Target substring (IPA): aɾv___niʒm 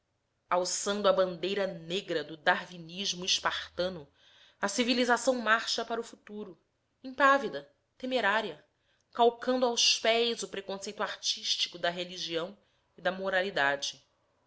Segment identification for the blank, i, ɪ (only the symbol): i